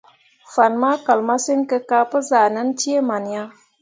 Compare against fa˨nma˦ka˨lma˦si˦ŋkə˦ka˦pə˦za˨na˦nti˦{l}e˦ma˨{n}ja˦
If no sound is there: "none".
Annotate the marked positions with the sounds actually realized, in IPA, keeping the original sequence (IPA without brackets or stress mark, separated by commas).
none, n